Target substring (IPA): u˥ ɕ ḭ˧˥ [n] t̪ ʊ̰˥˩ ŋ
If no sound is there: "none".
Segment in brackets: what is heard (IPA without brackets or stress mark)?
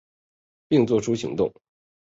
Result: ŋ